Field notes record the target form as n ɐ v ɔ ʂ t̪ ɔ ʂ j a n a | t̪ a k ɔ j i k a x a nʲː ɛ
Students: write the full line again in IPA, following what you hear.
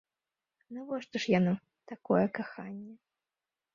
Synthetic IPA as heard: n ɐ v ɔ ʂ t̪ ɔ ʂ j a n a | t̪ a k ɔ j ɛ k a x a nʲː ɛ